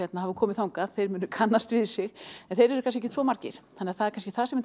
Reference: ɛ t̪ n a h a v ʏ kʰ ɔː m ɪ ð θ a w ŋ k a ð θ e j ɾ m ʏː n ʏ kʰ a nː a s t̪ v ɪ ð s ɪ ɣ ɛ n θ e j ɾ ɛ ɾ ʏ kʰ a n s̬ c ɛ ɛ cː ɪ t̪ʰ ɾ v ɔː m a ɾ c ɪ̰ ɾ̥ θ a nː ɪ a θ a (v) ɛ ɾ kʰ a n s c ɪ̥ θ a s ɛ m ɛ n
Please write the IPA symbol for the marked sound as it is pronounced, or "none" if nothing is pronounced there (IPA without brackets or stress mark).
ð